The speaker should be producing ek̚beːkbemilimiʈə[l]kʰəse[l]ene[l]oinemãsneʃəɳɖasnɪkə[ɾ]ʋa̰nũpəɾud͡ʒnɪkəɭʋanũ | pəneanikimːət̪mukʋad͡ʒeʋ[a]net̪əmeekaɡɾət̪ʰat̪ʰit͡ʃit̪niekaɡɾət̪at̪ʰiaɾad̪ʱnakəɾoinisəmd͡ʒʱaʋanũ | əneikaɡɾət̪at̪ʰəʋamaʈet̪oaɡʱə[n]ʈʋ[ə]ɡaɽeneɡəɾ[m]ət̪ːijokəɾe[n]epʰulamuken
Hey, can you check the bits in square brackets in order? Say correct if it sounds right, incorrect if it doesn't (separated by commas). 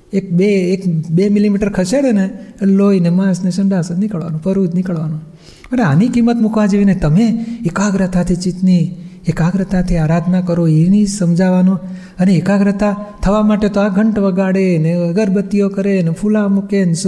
incorrect, incorrect, correct, incorrect, incorrect, incorrect, correct, incorrect, correct